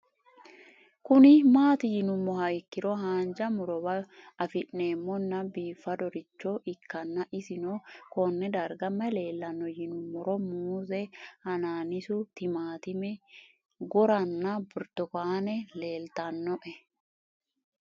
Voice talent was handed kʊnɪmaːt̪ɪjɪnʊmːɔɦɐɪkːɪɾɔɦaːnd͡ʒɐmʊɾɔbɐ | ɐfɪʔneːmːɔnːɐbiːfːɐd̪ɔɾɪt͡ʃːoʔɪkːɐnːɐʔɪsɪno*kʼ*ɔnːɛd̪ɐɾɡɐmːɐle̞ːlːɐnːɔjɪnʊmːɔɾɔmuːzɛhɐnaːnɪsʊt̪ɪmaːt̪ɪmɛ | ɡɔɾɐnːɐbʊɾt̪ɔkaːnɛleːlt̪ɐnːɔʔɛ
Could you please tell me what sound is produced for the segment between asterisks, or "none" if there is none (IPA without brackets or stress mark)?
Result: k